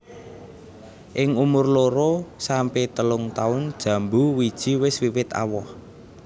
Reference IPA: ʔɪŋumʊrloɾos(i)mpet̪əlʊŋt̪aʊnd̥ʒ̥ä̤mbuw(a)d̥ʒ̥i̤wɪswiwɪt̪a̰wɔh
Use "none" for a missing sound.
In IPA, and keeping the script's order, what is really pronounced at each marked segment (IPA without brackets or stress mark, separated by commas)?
a, i